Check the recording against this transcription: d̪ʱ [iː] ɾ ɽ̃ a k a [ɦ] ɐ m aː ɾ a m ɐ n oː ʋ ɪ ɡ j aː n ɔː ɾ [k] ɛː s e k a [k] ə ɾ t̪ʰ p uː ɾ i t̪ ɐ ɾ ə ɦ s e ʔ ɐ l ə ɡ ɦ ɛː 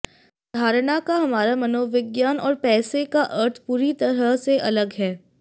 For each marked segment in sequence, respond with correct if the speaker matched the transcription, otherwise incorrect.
incorrect: aː, correct, incorrect: p, incorrect: ʔ

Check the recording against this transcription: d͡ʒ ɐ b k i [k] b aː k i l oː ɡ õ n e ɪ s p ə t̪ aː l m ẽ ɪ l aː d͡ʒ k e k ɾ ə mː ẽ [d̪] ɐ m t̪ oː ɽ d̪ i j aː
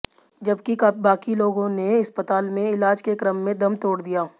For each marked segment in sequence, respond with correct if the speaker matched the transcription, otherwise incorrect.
correct, correct

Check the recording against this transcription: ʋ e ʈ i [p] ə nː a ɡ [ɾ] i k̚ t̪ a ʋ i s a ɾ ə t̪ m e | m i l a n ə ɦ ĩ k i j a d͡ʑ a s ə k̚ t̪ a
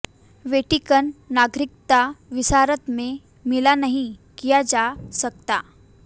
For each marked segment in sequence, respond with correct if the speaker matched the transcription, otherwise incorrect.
incorrect: k, correct

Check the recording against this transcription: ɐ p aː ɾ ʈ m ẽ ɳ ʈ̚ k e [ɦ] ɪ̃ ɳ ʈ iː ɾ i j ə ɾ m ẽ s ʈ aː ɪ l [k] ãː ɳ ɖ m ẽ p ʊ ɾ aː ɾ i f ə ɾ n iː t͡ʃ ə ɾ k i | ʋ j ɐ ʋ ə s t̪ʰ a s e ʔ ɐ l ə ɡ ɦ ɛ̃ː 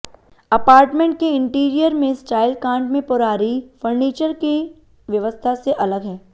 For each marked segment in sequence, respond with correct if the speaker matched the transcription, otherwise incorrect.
incorrect: none, correct

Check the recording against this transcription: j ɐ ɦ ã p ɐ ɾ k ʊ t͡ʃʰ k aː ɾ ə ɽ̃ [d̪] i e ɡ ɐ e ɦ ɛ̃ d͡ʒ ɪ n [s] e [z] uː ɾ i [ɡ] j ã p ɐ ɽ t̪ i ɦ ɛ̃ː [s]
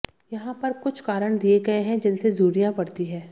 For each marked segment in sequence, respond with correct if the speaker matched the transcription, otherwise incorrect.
correct, correct, correct, incorrect: none, incorrect: none

